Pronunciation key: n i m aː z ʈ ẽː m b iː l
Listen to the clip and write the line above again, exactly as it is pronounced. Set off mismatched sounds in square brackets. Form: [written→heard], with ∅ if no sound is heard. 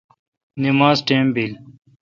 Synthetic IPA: n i m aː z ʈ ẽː m b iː l

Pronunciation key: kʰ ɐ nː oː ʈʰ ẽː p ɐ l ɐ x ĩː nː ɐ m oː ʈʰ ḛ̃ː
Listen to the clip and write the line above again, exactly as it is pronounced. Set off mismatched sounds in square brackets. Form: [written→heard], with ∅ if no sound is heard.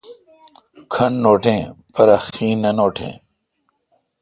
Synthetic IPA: kʰ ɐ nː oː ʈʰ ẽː p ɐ [l→ɾ] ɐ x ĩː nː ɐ [m→n] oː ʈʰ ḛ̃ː

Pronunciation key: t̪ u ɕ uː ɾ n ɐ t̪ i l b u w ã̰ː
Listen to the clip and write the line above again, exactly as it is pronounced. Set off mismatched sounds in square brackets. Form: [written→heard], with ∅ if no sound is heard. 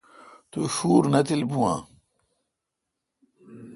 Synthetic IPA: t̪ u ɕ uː ɾ n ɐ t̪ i l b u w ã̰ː

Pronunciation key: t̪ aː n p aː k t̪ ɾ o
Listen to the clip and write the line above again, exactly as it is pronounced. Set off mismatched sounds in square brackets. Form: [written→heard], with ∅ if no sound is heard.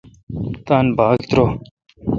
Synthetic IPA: t̪ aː n [p→b] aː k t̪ ɾ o

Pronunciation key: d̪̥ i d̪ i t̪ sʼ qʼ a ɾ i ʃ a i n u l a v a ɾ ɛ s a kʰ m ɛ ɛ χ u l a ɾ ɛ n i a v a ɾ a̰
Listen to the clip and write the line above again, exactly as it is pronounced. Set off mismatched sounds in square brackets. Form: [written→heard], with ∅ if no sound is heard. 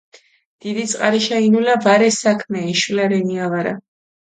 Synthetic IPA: d̪̥ i d̪ i t̪ sʼ qʼ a ɾ i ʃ a i n u l a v a ɾ ɛ s a kʰ m ɛ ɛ [χ→ʃ] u l a ɾ ɛ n i a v a ɾ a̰

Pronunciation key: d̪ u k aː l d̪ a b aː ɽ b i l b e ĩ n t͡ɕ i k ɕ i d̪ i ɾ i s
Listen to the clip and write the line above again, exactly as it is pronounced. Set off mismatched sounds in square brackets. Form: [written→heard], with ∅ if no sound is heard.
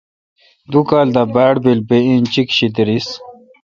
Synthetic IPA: d̪ u k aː l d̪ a b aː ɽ b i l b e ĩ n t͡ɕ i k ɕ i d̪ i ɾ i s

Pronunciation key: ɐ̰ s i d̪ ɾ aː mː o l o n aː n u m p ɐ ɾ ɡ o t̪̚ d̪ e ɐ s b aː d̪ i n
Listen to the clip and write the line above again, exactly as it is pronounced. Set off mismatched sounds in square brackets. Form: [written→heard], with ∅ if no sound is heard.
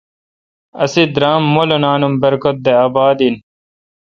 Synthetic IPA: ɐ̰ s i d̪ ɾ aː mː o l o n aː n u m [p→b] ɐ ɾ [ɡ→k] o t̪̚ d̪ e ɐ [s→∅] b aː d̪ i n

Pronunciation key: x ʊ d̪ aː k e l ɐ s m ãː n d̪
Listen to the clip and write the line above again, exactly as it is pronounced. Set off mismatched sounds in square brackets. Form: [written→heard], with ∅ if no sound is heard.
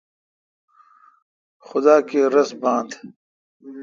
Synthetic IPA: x ʊ d̪ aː k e [l→ɾ] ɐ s [m→b] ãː n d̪

